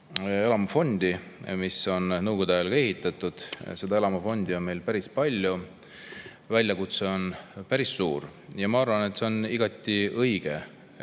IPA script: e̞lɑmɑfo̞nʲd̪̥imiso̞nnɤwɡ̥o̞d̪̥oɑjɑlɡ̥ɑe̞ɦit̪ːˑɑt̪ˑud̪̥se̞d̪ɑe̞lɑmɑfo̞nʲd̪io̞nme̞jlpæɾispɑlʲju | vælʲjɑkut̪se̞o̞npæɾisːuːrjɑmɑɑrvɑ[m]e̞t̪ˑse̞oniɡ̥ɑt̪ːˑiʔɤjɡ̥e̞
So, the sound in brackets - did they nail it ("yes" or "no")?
no